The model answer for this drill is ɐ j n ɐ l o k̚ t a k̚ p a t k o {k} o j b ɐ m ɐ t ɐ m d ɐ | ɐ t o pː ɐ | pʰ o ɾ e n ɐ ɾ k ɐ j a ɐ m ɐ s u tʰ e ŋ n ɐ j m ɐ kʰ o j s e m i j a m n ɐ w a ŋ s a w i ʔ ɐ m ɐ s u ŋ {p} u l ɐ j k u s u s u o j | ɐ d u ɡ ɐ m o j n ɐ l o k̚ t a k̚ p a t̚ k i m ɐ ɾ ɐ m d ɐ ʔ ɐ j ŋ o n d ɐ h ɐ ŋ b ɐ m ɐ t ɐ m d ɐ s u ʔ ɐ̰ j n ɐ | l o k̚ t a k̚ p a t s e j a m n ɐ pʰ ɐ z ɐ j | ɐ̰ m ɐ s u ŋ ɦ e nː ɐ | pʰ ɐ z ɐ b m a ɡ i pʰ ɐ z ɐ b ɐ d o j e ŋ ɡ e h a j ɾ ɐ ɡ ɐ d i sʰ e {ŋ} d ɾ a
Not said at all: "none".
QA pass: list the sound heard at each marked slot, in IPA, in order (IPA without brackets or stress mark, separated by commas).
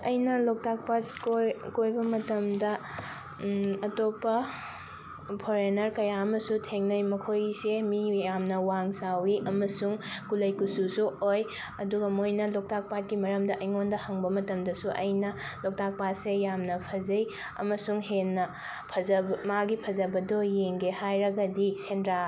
k, k, n